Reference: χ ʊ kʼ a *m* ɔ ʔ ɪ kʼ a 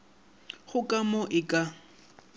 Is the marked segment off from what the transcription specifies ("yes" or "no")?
no